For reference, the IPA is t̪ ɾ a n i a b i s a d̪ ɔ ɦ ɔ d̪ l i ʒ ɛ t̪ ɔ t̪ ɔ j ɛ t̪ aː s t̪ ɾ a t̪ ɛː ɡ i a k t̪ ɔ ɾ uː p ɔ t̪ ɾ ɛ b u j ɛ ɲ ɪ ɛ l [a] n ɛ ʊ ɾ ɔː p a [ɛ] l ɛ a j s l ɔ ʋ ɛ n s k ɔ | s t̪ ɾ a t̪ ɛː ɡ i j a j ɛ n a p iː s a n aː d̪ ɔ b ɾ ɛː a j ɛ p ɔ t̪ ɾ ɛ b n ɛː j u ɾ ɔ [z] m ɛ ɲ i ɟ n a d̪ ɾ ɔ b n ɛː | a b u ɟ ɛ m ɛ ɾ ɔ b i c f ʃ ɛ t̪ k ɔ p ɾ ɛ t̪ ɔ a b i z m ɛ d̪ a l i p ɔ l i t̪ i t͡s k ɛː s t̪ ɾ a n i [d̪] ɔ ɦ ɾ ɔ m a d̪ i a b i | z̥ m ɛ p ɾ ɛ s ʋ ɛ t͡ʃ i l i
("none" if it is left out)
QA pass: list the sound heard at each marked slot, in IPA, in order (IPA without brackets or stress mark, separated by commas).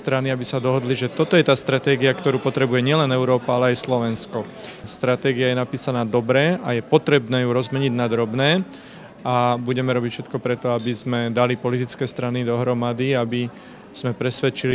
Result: ɛ, a, z, d̪